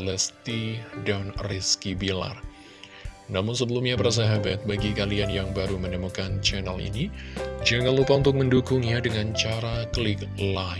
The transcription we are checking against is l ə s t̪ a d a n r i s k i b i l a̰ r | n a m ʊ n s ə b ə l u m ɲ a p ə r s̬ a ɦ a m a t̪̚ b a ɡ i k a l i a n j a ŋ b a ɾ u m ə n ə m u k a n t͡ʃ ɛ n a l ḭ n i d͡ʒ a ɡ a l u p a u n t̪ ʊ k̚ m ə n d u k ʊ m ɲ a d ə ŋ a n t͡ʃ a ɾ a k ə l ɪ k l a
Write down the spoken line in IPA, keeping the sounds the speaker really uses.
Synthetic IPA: l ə s t̪ i d a n r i s k i b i l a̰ r | n a m ʊ n s ə b ə l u m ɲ a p ə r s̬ a ɦ a b a t̪̚ b a ɡ i k a l i a n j a ŋ b a ɾ u m ə n ə m u k a n t͡ʃ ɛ n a l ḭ n i d͡ʒ a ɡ a l u p a u n t̪ ʊ k̚ m ə n d u k ʊ ŋ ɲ a d ə ŋ a n t͡ʃ a ɾ a k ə l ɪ k l a